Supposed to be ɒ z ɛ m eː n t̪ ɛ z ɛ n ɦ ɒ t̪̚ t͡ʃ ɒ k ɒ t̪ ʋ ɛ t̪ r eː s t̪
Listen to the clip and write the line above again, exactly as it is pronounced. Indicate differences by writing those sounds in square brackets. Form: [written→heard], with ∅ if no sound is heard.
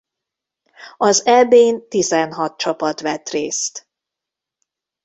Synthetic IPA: ɒ z ɛ [m→b] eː n t̪ [ɛ→i] z ɛ n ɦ ɒ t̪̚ t͡ʃ ɒ [k→p] ɒ t̪ ʋ ɛ t̪ r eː s t̪